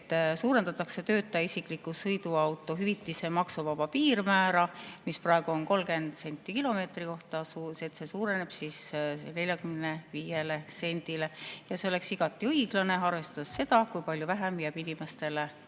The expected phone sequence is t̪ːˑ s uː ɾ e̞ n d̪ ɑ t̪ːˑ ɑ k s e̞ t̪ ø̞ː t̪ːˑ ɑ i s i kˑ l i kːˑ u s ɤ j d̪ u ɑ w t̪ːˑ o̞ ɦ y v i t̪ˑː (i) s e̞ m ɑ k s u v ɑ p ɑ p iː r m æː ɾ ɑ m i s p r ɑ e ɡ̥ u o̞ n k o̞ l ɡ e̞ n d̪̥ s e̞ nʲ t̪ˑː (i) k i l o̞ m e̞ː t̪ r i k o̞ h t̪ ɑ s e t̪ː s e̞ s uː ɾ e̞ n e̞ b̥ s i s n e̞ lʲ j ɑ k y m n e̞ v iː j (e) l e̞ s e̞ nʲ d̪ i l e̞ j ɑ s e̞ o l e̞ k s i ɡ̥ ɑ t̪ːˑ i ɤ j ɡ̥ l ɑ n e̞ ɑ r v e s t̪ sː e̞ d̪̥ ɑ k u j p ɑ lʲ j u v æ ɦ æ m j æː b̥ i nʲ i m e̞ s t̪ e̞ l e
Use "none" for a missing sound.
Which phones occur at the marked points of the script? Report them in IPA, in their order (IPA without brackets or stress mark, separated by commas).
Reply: i, i, e